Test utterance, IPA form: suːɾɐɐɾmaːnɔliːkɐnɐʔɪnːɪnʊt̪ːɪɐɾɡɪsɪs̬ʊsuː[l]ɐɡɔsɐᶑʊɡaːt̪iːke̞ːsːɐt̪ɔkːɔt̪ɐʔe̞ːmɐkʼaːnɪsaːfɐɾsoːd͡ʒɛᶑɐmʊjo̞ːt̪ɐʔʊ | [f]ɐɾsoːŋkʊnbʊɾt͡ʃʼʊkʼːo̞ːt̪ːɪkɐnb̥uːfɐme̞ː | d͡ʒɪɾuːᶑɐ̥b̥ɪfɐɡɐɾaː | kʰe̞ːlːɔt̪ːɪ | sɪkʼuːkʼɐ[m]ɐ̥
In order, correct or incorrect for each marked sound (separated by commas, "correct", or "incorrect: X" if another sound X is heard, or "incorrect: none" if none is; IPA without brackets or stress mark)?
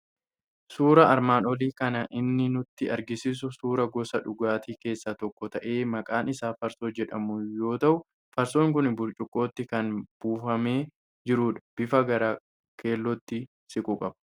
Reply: incorrect: ɾ, correct, incorrect: b